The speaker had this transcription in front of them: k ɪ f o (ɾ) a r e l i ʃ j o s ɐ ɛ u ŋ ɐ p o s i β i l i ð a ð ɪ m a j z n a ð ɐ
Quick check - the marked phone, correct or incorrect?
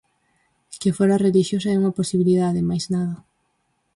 correct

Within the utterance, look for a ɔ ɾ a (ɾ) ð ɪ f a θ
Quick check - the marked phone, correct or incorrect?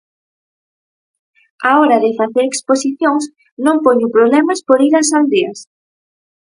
incorrect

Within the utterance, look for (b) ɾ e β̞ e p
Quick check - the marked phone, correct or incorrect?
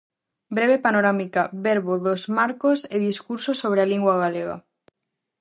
correct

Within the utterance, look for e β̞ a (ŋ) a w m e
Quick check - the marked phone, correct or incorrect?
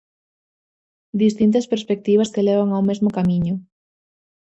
correct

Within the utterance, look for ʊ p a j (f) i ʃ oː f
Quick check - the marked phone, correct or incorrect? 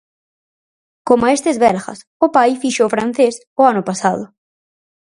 correct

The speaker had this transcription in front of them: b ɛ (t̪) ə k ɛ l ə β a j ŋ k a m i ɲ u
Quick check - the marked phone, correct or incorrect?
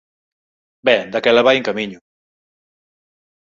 incorrect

